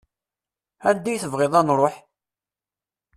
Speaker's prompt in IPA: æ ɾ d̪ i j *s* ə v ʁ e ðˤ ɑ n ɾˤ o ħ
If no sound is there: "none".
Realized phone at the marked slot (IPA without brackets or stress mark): θ